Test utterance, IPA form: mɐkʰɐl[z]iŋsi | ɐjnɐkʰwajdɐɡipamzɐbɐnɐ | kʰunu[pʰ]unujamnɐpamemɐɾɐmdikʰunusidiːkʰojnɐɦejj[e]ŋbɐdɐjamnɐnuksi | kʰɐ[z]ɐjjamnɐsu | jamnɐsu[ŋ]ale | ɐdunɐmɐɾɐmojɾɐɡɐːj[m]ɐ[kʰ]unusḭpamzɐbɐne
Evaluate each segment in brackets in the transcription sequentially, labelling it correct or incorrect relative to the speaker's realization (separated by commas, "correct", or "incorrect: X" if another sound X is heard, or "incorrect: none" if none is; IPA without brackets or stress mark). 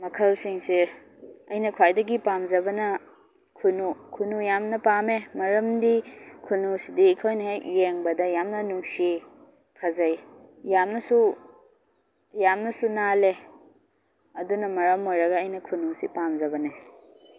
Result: incorrect: s, incorrect: kʰ, correct, correct, incorrect: n, incorrect: n, correct